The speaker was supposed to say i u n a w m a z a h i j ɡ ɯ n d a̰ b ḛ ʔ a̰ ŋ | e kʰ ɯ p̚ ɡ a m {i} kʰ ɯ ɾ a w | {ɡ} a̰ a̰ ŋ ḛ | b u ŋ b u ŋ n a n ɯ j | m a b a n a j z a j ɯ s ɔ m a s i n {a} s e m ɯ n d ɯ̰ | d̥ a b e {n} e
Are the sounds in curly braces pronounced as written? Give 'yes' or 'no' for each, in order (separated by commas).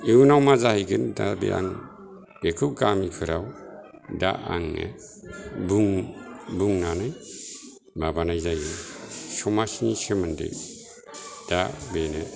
yes, no, no, yes